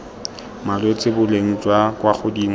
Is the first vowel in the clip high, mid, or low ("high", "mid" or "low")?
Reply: low